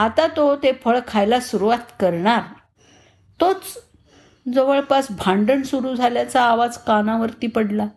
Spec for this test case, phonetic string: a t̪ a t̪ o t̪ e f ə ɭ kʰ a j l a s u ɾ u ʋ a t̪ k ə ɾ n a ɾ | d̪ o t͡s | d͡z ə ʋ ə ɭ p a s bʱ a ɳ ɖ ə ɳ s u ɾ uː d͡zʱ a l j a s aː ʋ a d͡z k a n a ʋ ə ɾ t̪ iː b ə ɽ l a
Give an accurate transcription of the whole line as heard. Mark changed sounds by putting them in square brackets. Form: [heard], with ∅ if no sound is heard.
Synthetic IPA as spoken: a t̪ a t̪ o t̪ e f ə ɭ kʰ a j l a s u ɾ u ʋ a t̪ k ə ɾ [ɳ] a ɾ | [t̪] o t͡s | d͡z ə ʋ ə ɭ p a s bʱ a ɳ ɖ ə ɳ s u ɾ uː d͡zʱ a l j a [t͡s] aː ʋ a d͡z k a n a ʋ ə ɾ t̪ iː [p] ə ɽ l a